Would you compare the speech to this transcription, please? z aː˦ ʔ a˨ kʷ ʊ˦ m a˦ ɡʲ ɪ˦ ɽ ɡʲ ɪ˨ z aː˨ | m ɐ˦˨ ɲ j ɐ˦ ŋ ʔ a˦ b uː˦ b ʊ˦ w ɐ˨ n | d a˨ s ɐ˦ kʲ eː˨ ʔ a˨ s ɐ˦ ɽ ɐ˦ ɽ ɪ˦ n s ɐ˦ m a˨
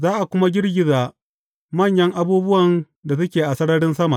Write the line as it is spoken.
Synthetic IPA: z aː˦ ʔ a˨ kʷ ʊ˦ m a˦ ɡʲ ɪ˦ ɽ ɡʲ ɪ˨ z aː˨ | m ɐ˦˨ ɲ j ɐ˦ ŋ ʔ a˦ b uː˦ b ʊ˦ w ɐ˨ n | d a˨ s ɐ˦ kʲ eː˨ ʔ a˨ s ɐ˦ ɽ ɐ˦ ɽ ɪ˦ n s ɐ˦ m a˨